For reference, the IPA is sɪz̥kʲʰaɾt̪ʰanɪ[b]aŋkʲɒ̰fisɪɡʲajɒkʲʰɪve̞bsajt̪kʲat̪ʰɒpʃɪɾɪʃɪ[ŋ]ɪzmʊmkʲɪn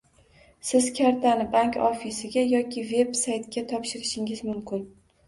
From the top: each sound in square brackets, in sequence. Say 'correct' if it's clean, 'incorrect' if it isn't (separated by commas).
correct, correct